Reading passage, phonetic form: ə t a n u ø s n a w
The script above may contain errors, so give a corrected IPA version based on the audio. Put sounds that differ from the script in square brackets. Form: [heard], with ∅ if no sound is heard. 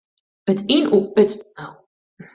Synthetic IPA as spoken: ə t [i] n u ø [t] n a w